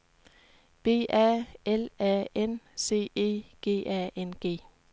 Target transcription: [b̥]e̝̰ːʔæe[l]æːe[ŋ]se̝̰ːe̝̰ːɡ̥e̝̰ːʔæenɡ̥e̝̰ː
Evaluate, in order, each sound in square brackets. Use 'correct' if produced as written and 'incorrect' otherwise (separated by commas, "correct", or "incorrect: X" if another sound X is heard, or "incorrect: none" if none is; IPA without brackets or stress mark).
correct, correct, incorrect: n